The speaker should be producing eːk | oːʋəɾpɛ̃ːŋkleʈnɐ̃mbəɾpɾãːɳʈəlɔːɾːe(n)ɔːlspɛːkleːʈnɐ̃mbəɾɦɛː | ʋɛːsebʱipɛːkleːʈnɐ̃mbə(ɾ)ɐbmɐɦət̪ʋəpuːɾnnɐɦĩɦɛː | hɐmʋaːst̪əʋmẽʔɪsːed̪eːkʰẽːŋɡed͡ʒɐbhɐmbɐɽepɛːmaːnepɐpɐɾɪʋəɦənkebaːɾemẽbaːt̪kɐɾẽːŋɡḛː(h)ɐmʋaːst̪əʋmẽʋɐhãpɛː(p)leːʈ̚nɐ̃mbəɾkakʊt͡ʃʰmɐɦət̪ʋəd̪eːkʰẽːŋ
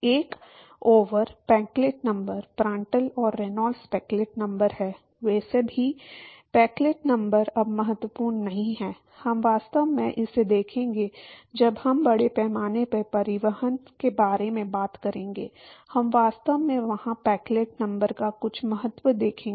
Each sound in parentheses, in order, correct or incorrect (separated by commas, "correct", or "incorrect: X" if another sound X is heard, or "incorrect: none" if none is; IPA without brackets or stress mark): correct, correct, correct, incorrect: k